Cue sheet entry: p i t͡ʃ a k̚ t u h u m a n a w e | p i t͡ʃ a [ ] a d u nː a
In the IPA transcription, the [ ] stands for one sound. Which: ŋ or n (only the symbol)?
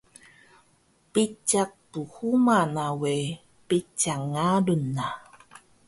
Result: ŋ